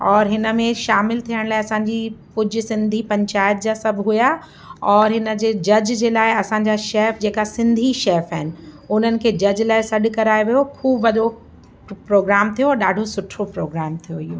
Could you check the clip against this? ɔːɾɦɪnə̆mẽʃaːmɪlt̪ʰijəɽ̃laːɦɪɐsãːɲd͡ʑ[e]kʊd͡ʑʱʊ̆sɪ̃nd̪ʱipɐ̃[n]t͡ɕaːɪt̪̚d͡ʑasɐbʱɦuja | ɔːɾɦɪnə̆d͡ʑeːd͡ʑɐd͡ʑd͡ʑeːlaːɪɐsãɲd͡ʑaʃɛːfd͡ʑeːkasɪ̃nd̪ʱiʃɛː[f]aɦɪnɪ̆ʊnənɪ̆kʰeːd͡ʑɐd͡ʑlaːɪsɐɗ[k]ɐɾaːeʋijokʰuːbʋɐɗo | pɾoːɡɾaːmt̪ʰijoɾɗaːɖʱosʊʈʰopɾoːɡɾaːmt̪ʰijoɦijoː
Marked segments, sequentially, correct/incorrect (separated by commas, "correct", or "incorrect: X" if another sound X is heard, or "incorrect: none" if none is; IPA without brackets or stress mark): incorrect: i, incorrect: ɲ, correct, correct